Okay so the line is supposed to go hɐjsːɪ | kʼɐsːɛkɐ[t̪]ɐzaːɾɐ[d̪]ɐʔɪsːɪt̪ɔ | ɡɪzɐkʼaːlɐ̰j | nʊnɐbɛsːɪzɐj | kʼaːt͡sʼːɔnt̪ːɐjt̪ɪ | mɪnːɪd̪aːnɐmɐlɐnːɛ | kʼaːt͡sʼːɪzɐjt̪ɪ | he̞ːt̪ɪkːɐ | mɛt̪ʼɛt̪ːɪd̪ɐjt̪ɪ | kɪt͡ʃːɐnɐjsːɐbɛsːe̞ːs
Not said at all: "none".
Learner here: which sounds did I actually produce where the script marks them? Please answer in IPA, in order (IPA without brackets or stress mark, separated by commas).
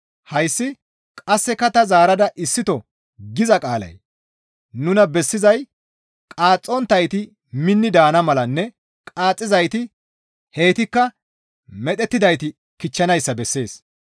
t̪, d̪